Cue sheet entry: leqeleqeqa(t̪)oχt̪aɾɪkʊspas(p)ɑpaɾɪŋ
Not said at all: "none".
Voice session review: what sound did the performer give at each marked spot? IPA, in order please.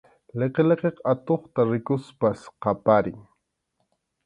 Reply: t̪, q

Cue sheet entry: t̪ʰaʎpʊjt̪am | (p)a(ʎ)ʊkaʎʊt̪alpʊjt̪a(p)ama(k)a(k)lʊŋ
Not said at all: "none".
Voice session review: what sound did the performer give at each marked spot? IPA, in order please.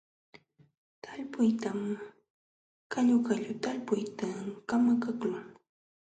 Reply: k, ʎ, k, k, k

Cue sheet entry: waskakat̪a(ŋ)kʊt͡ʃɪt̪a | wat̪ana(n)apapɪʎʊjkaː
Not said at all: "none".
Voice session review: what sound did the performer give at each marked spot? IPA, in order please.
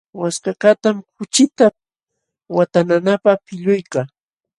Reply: m, n

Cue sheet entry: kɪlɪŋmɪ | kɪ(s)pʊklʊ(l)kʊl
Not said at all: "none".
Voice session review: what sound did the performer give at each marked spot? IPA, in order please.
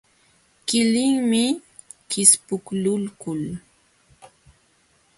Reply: s, l

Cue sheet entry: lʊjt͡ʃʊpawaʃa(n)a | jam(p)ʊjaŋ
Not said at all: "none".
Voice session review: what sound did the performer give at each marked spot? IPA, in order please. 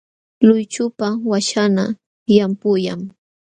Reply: n, p

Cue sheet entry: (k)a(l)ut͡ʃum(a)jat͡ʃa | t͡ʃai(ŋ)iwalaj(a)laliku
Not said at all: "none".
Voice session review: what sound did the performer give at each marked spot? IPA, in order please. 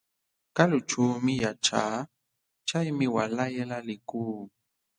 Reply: k, l, i, m, ɛ

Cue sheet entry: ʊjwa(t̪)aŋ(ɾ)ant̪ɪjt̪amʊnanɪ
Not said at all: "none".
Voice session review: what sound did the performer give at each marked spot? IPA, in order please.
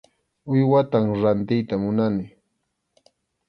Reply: t̪, ɾ

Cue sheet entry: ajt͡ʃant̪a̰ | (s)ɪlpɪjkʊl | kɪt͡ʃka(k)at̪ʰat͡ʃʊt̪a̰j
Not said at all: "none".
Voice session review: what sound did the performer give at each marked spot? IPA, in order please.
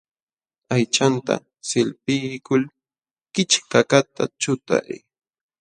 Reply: s, k

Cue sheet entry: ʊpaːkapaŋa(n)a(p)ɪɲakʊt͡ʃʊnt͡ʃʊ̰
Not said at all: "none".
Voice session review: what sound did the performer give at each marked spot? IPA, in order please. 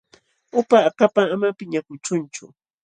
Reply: m, p

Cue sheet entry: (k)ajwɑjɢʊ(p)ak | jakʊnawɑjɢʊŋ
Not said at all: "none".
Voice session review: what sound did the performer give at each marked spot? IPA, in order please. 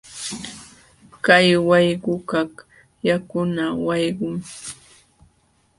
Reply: k, k

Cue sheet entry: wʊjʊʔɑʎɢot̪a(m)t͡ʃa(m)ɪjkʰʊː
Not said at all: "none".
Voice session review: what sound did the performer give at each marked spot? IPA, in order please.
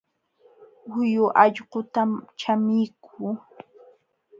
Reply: m, m

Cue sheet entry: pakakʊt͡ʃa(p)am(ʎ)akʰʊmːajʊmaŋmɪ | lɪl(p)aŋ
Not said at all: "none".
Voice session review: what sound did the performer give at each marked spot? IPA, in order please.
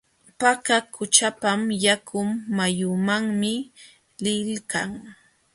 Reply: p, j, k

